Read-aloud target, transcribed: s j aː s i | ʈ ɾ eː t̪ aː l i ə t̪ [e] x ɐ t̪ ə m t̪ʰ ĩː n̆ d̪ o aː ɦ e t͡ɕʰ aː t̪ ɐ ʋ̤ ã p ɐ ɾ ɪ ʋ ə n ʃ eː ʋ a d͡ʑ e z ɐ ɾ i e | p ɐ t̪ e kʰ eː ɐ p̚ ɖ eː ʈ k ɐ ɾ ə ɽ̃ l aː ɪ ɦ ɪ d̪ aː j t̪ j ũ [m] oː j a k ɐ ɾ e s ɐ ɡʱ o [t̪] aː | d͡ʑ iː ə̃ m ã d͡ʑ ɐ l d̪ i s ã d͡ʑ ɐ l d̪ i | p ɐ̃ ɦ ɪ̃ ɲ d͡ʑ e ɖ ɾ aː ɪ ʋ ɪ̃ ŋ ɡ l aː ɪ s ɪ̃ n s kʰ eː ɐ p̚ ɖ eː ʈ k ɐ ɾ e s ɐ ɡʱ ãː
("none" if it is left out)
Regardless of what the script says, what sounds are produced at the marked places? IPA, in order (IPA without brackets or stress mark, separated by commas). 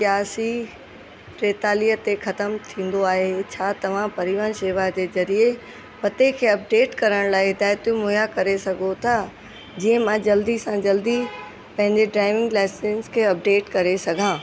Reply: e, m, t̪ʰ